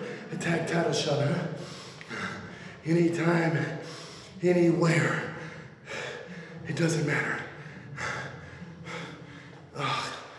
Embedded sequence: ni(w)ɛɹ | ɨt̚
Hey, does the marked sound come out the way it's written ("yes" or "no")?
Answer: yes